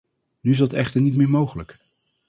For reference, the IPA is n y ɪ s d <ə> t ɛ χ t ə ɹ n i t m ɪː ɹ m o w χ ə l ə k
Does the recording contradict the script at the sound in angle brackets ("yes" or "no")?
yes